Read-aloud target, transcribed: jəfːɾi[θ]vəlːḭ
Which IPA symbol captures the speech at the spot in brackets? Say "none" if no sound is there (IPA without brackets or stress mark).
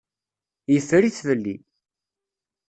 θ